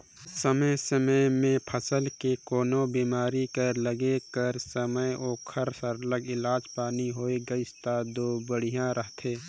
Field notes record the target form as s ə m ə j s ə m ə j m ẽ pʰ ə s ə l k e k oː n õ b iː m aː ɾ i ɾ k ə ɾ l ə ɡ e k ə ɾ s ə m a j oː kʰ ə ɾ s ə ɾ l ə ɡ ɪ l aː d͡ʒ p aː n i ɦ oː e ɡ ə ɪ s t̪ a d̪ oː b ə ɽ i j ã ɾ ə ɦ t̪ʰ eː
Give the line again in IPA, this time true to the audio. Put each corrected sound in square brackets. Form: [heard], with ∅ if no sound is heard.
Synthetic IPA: s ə m ə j s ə m ə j m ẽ pʰ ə s ə l k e k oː n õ b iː m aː ɾ i [∅] k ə ɾ l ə ɡ e k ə ɾ s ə m [ə] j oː kʰ ə ɾ s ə ɾ l ə ɡ ɪ l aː d͡ʒ p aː n i ɦ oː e ɡ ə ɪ s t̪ a d̪ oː b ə ɽ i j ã ɾ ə ɦ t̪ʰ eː